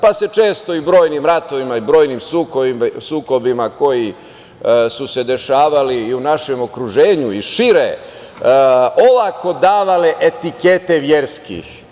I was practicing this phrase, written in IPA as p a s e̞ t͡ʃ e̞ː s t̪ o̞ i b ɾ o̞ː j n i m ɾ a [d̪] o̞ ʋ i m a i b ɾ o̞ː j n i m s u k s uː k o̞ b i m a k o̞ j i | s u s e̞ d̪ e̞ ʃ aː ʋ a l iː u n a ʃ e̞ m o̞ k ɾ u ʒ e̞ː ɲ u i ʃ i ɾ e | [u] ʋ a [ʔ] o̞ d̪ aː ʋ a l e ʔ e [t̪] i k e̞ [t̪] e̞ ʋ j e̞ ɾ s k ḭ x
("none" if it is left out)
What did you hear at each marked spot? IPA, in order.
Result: t̪, o, k, t̪, t̪

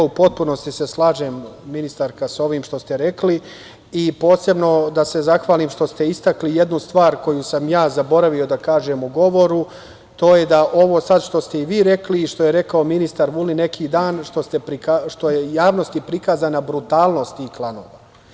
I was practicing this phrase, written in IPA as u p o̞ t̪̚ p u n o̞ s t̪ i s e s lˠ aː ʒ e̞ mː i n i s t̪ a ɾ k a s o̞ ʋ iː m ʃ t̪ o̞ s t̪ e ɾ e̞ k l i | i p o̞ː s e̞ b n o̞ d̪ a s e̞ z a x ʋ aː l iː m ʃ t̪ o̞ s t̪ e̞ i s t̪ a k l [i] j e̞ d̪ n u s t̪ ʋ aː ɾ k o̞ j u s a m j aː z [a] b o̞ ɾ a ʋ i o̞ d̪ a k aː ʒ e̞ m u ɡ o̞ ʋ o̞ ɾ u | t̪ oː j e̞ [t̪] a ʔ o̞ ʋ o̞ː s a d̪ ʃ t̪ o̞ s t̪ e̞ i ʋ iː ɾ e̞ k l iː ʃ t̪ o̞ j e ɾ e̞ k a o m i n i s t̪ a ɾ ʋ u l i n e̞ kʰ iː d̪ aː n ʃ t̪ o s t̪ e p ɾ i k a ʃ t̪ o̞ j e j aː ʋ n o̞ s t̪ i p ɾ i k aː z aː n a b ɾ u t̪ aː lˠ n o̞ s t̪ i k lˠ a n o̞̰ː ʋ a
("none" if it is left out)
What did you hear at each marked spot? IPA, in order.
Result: i, a, d̪

